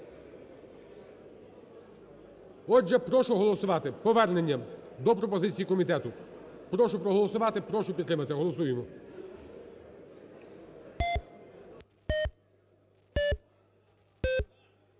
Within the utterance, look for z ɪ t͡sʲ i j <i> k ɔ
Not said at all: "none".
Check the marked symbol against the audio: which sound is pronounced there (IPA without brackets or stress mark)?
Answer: i